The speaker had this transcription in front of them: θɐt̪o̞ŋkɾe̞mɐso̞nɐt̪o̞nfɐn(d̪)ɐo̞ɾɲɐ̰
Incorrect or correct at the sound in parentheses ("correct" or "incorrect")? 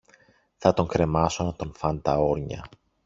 incorrect